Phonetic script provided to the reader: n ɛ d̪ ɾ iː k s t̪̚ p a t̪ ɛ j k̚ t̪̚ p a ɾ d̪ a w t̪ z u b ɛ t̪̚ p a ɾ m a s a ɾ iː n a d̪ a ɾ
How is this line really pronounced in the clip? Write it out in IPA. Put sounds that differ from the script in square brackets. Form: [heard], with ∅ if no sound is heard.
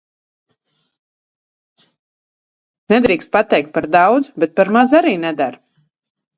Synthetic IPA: n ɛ d̪ ɾ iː k s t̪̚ p a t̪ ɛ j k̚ t̪̚ p a ɾ d̪ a w [d̪] z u b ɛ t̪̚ p a ɾ m a [z] a ɾ iː n [ɛ] d̪ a ɾ